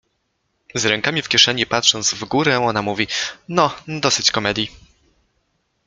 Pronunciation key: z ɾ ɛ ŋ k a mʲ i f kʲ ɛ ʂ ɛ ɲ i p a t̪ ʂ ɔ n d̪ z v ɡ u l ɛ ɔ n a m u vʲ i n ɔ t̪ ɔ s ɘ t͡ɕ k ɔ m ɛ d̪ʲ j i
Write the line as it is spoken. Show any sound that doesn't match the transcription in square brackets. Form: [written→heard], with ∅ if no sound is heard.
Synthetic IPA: z ɾ ɛ ŋ k a mʲ i f kʲ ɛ ʂ ɛ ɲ i p a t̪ ʂ ɔ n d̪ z v ɡ u [l→ɾ] ɛ ɔ n a m u vʲ i n ɔ [t̪→d̪] ɔ s ɘ t͡ɕ k ɔ m ɛ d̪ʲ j i